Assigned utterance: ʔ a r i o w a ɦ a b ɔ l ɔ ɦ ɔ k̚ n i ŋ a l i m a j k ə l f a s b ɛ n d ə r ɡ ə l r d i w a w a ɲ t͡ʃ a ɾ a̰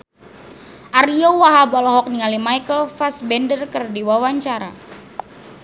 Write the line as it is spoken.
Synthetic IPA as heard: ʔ a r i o w a ɦ a b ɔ l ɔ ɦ ɔ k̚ n i ŋ a l i m a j k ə l f a s b ɛ n d ə r k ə r d i w a w a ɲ t͡ʃ a ɾ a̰